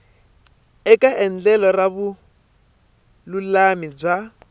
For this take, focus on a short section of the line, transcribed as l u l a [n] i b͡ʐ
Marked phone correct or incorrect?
incorrect